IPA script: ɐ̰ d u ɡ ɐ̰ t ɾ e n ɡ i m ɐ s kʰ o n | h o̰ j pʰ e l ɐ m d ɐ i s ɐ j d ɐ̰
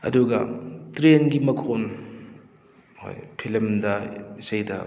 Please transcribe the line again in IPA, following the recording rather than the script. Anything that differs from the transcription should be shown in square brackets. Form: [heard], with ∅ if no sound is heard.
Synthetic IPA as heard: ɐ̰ d u ɡ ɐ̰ t ɾ e n ɡ i m ɐ [∅] kʰ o n | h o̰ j pʰ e l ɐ m d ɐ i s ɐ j d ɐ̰